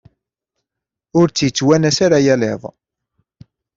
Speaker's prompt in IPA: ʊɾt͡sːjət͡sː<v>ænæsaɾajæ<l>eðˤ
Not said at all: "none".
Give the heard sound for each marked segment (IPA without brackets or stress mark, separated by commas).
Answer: w, l